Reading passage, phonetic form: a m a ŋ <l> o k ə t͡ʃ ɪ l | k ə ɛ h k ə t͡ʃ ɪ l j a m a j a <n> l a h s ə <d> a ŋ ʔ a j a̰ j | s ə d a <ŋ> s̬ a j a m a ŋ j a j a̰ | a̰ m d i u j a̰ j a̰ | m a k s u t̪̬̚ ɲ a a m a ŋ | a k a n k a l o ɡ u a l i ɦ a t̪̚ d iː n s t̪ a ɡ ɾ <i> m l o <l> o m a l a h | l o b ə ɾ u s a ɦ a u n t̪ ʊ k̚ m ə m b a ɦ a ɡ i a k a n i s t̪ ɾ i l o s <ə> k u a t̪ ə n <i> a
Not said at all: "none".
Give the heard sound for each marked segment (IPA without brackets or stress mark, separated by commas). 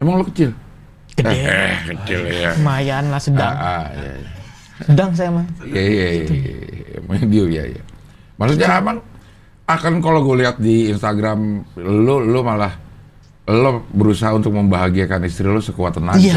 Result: l, n, d, ŋ, a, l, ə, a